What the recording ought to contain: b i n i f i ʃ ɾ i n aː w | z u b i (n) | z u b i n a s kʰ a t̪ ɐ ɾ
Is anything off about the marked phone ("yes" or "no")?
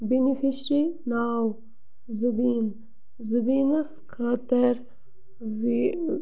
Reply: no